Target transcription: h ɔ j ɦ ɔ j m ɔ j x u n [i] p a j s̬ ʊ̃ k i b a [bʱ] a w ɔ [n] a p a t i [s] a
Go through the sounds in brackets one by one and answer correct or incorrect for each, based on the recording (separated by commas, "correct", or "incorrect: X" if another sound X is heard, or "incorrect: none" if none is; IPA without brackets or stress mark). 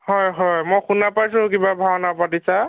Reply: incorrect: a, correct, correct, correct